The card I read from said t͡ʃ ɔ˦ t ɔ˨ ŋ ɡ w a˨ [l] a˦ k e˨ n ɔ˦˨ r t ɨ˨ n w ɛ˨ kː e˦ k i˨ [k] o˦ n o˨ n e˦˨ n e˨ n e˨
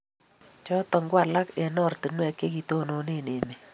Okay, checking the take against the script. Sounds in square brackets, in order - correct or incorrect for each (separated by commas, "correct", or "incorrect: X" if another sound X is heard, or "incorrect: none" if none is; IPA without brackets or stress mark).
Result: correct, incorrect: t